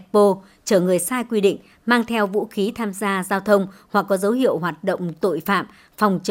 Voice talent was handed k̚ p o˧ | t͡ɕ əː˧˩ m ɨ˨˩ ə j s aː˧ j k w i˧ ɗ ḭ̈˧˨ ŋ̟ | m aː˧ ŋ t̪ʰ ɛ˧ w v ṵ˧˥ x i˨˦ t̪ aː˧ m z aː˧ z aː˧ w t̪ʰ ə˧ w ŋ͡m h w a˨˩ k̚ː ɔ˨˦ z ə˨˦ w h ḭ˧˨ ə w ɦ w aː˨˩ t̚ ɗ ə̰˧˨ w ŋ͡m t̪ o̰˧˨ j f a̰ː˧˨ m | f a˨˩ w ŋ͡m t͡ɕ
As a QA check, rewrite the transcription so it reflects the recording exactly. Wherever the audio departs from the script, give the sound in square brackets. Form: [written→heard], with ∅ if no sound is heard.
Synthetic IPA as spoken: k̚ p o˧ | t͡ɕ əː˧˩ [m→ŋ] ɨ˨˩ ə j s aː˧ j k w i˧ ɗ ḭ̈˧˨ ŋ̟ | m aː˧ ŋ t̪ʰ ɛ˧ w v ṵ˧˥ x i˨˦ [t̪→t̪ʰ] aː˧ m z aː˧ z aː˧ w t̪ʰ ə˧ w ŋ͡m h w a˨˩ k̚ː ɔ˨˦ z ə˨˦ w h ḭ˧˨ ə w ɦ w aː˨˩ t̚ ɗ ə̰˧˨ w ŋ͡m t̪ o̰˧˨ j f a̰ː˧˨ m | f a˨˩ w ŋ͡m t͡ɕ